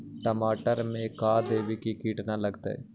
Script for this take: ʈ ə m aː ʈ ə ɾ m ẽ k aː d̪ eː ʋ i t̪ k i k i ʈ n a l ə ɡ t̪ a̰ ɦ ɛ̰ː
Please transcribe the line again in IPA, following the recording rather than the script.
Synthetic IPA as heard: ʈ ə m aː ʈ ə ɾ m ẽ k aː d̪ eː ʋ i k i k iː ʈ n a l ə ɡ t̪ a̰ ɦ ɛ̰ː